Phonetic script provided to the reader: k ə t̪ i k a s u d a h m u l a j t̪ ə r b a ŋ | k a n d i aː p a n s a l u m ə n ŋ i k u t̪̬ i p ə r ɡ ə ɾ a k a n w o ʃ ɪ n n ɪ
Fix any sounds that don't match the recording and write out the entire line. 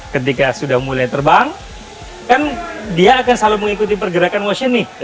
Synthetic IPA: k ə t̪ i k a s u d a h m u l a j t̪ ə r b a ŋ | k a n d i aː k a n s a l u m ə ŋ i k u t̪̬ i p ə r ɡ ə ɾ a k a n w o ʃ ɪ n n ɪ